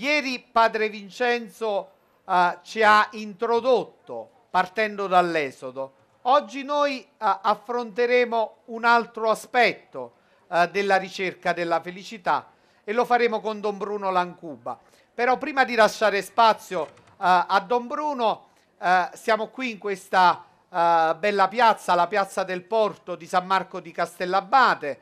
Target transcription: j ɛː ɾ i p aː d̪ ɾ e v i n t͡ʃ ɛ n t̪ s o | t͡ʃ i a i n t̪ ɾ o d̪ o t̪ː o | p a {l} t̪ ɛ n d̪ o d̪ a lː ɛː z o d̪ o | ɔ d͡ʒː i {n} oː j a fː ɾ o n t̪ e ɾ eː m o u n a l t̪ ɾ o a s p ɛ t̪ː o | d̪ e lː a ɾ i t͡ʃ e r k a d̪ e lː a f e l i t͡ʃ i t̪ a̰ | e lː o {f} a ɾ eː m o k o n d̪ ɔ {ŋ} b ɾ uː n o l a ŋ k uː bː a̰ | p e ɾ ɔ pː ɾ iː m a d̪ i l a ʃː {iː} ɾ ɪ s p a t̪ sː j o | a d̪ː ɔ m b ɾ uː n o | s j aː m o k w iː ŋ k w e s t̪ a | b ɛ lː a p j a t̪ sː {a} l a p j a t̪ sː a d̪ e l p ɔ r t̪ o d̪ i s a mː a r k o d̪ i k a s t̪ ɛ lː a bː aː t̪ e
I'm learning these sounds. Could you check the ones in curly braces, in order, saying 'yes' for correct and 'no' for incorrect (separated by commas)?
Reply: no, yes, yes, no, no, yes